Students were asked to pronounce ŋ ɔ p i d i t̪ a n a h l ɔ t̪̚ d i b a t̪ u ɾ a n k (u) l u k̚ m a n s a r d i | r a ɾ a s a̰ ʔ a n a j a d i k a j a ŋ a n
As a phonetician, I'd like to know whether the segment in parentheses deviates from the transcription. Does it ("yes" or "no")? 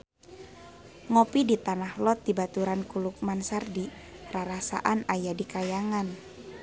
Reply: no